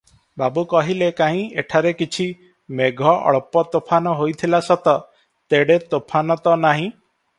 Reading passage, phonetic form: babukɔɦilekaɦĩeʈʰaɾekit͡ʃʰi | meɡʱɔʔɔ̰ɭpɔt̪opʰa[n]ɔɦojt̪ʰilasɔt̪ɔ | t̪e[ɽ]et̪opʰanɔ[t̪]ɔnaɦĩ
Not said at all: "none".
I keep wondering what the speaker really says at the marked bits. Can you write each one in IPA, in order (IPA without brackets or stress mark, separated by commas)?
n, ɽ, t̪